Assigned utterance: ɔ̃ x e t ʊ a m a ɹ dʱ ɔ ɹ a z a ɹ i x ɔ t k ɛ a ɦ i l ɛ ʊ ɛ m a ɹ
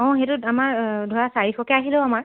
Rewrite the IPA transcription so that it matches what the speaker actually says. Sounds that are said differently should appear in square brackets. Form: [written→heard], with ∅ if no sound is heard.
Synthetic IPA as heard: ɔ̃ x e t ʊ a m a ɹ dʱ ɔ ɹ a [z→s] a ɹ i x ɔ [t→∅] k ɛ a ɦ i l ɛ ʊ [ɛ→a] m a ɹ

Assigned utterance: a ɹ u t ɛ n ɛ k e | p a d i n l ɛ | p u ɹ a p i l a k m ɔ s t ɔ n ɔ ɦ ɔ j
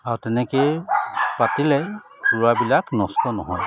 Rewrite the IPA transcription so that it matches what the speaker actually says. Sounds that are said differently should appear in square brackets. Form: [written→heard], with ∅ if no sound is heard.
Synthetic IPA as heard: a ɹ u t ɛ n ɛ k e | p a [d→t] i [n→∅] l ɛ | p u ɹ a [p→b] i l a k [m→n] ɔ s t ɔ n ɔ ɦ ɔ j

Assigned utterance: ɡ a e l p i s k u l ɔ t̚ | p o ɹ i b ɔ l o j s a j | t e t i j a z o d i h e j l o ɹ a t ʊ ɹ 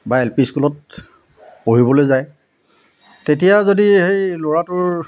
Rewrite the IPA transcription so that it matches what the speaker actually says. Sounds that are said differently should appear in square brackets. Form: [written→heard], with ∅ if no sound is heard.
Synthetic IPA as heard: [ɡ→b] a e l p i s k u l ɔ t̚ | p o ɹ i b ɔ l o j [s→z] a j | t e t i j a z o d i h e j l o ɹ a t ʊ ɹ

